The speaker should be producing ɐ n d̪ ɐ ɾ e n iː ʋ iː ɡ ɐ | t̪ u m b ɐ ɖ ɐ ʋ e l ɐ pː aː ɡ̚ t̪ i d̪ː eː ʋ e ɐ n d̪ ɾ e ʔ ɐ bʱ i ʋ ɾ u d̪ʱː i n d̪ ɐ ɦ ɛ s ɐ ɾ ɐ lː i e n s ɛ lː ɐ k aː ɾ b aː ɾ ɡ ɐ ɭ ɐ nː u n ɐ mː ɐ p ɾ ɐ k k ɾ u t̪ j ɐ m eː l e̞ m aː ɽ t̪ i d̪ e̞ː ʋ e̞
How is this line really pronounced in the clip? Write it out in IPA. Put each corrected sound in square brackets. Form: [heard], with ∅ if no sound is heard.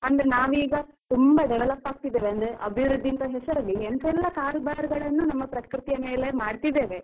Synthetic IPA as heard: ɐ n d̪ ɐ ɾ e n [aː] ʋ iː ɡ ɐ | t̪ u m b ɐ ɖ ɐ ʋ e l ɐ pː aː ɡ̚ t̪ i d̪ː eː ʋ e ɐ n d̪ ɾ e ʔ ɐ bʱ i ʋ ɾ u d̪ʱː i n [t̪] ɐ ɦ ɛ s ɐ ɾ ɐ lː i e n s ɛ lː ɐ k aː ɾ b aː ɾ ɡ ɐ ɭ ɐ nː u n ɐ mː ɐ p ɾ ɐ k k ɾ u t̪ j ɐ m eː l e̞ m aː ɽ t̪ i d̪ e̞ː ʋ e̞